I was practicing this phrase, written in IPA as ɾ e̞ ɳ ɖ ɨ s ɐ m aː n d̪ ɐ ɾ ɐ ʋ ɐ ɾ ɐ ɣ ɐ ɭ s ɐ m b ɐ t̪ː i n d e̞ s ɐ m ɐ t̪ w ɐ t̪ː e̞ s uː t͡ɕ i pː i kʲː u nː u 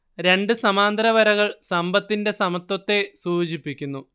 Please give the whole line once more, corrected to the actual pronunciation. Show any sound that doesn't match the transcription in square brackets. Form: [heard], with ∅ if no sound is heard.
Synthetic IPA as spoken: ɾ e̞ ɳ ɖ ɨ s ɐ m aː n d̪ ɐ ɾ ɐ ʋ ɐ ɾ ɐ ɣ ɐ ɭ s ɐ m b ɐ t̪ː i n d e̞ s ɐ m ɐ t̪ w ɐ t̪ː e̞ s uː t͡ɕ i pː i kʲː u nː u

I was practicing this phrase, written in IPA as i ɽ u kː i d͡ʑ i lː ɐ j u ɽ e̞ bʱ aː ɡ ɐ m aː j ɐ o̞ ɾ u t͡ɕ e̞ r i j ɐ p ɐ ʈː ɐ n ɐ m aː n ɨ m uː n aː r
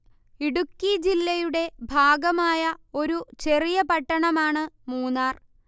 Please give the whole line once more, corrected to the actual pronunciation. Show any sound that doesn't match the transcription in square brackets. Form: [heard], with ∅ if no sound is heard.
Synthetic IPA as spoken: i ɽ u kː i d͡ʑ i lː ɐ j u ɽ e̞ bʱ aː ɡ ɐ m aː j ɐ o̞ ɾ u t͡ɕ e̞ r i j ɐ p ɐ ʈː ɐ [ɳ] ɐ m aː [ɳ] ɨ m uː n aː r

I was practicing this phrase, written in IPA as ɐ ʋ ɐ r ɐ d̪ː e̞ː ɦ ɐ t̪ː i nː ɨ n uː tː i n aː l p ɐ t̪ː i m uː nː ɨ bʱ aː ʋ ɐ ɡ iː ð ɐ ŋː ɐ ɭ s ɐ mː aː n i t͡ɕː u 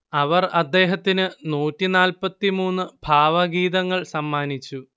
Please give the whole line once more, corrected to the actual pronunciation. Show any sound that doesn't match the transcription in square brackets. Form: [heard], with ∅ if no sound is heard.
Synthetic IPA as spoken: ɐ ʋ ɐ r ɐ d̪ː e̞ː ɦ ɐ t̪ː i [n] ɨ n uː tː i n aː l p ɐ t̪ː i m uː nː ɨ bʱ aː ʋ ɐ ɡ iː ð ɐ ŋː ɐ ɭ s ɐ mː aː n i t͡ɕː u

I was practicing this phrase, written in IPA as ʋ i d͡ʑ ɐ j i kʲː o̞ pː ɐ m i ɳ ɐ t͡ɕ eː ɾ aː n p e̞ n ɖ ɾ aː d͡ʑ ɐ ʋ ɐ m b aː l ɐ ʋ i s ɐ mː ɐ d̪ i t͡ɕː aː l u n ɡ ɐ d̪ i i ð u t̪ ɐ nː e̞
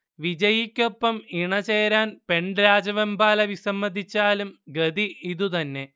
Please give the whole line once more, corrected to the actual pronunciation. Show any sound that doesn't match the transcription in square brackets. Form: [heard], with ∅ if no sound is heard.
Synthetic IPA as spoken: ʋ i d͡ʑ ɐ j i kʲː o̞ pː ɐ m i ɳ ɐ t͡ɕ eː ɾ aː n p e̞ [ɳ] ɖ ɾ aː d͡ʑ ɐ ʋ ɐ m b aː l ɐ ʋ i s ɐ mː ɐ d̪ i t͡ɕː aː l u [m] ɡ ɐ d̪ i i ð u t̪ ɐ nː e̞

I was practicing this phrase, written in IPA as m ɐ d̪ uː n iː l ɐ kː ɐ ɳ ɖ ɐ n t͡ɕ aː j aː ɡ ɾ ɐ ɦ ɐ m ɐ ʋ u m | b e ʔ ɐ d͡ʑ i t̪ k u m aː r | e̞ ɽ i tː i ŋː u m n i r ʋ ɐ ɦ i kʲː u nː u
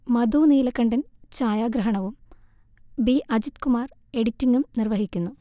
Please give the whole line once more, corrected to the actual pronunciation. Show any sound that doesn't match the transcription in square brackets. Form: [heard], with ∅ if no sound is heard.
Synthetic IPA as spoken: m ɐ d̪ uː n iː l ɐ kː ɐ ɳ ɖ ɐ n t͡ɕ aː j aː ɡ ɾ ɐ ɦ ɐ [ɳ] ɐ ʋ u m | b [i] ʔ ɐ d͡ʑ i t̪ k u m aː r | e̞ ɽ i tː i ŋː u m n i r ʋ ɐ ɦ i kʲː u nː u

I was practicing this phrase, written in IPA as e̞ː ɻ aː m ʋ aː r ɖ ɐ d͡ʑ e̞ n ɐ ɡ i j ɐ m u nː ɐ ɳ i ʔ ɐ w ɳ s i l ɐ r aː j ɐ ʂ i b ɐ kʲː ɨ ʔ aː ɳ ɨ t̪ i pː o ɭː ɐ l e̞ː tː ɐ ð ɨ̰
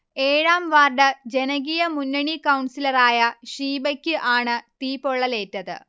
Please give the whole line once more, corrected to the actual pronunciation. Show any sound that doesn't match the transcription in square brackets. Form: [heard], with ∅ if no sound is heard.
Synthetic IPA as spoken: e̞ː ɻ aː m ʋ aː r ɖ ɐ d͡ʑ e̞ n ɐ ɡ i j ɐ m u nː ɐ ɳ i [k] ɐ w ɳ s i l ɐ r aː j ɐ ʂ [iː] b ɐ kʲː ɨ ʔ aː ɳ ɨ t̪ [iː] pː o ɭː ɐ l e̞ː tː ɐ ð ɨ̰

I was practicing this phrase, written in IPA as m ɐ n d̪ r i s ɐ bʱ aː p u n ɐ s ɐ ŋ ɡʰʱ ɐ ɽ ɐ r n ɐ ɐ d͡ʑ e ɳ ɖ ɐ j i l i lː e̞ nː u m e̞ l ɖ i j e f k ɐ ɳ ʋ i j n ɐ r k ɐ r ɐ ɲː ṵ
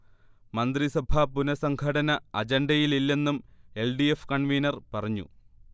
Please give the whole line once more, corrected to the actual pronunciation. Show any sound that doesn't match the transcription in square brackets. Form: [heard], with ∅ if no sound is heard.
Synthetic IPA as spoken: m ɐ n d̪ r i s ɐ bʱ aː p u n ɐ s ɐ ŋ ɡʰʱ ɐ ɽ ɐ [∅] n ɐ ɐ d͡ʑ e ɳ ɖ ɐ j i l i lː e̞ nː u m e̞ l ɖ i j e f k ɐ ɳ ʋ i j n ɐ r [p] ɐ r ɐ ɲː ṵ

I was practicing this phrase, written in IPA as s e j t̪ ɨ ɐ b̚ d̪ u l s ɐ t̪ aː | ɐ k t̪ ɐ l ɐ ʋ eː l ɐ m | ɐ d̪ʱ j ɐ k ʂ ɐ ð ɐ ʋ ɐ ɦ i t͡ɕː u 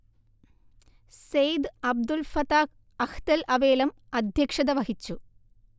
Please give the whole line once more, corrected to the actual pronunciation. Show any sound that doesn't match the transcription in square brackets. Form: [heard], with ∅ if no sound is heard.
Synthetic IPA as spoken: s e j [d̪] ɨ ɐ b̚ d̪ u l [f] ɐ t̪ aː | ɐ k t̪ ɐ l ɐ ʋ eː l ɐ m | ɐ d̪ʱ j ɐ k ʂ ɐ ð ɐ ʋ ɐ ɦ i t͡ɕː u

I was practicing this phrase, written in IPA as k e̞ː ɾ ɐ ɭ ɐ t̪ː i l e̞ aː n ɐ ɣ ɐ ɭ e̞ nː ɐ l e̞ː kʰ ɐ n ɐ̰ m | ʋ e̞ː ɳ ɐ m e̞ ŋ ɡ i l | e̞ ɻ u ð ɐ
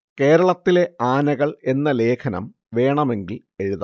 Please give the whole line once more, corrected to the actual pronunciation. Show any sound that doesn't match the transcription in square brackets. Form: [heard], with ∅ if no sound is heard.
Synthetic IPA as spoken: k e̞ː ɾ ɐ ɭ ɐ t̪ː i l e̞ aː n ɐ ɣ ɐ ɭ e̞ nː ɐ l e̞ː kʰ ɐ n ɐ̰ m | ʋ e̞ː ɳ ɐ m e̞ ŋ ɡ i l | e̞ ɻ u ð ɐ

